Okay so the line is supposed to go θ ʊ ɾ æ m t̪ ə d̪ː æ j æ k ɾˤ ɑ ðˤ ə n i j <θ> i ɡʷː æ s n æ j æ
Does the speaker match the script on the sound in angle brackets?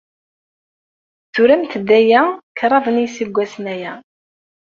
no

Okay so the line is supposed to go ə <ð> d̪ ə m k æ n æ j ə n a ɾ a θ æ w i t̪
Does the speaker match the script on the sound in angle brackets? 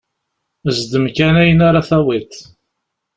no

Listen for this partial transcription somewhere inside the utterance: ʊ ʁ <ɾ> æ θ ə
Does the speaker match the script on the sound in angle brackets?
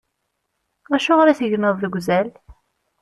yes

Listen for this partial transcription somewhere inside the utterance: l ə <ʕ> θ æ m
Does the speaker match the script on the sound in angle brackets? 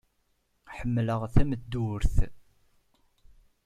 no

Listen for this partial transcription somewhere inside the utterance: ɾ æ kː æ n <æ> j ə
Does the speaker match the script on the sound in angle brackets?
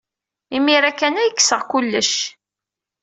yes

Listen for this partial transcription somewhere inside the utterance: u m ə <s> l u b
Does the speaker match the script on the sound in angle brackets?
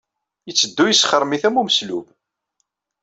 yes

